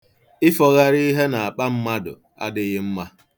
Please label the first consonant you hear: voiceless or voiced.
voiceless